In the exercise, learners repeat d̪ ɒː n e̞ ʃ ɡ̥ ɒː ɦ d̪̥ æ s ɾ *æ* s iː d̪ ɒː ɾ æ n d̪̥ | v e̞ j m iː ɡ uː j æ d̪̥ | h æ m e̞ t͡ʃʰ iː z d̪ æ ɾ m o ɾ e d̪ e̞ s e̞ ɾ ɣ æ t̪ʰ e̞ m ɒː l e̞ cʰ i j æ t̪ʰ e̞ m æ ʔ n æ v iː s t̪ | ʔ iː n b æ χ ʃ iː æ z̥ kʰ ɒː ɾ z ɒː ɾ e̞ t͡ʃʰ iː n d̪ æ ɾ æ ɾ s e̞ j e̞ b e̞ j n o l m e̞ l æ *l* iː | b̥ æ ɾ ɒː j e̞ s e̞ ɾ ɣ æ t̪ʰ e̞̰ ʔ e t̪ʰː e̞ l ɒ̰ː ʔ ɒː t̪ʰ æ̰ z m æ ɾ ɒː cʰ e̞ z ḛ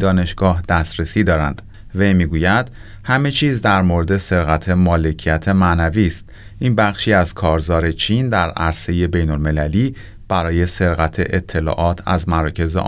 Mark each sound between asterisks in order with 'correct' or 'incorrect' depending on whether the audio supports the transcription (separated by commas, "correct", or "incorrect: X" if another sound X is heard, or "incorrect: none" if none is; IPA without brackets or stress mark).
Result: incorrect: e, correct